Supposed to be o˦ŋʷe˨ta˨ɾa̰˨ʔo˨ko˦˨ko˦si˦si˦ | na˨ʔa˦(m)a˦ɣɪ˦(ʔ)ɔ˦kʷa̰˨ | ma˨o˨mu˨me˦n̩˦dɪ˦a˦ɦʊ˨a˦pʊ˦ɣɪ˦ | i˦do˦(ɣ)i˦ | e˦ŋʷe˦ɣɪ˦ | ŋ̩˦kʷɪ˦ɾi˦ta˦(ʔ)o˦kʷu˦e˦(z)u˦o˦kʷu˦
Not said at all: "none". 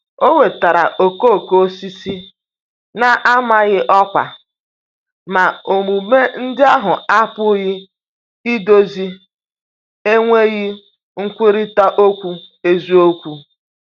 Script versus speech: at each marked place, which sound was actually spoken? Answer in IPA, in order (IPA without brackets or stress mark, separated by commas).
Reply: m, ʔ, z, ʔ, z